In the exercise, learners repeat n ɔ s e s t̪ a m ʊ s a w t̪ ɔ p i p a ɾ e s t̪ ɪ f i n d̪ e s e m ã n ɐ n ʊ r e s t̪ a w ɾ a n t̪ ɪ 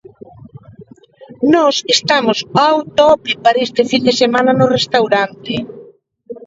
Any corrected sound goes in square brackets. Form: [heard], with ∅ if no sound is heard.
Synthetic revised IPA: n ɔ s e s t̪ a m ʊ s a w t̪ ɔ p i p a ɾ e s t̪ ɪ f i n d̪ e s e m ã n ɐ n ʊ r e s t̪ a w ɾ a n t̪ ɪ